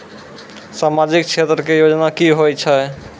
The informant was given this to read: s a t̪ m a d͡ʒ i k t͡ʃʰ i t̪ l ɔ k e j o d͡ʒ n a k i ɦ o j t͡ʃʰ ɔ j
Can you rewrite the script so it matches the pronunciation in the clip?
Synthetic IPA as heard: s a m a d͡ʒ i k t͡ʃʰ e t̪ ɾ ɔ k e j o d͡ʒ n a k i ɦ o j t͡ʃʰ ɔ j